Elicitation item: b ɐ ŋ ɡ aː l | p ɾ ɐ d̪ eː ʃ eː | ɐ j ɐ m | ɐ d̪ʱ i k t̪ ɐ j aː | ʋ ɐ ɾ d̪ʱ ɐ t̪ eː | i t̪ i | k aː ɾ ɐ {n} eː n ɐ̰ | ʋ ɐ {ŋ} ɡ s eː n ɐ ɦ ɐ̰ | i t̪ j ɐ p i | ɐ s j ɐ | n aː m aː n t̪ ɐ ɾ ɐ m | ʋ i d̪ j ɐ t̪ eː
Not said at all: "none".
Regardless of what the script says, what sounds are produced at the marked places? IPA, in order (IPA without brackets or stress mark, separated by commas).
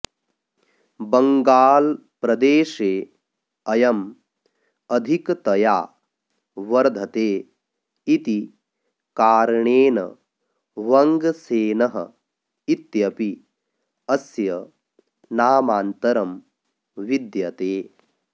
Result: ɳ, ŋ